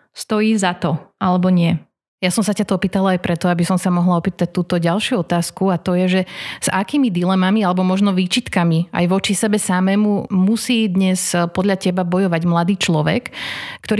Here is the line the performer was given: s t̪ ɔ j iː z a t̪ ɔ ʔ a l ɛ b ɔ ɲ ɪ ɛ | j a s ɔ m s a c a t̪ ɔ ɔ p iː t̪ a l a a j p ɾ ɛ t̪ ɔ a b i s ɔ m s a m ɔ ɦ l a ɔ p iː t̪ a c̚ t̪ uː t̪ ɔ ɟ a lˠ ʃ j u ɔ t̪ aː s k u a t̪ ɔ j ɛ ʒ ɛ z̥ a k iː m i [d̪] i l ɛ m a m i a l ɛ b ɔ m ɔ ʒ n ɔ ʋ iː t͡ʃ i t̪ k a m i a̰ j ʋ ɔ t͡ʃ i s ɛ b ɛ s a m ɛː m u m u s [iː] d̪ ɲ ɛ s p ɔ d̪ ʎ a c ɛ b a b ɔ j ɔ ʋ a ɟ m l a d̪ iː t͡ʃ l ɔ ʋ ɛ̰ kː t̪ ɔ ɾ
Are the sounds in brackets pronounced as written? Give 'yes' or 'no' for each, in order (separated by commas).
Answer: yes, yes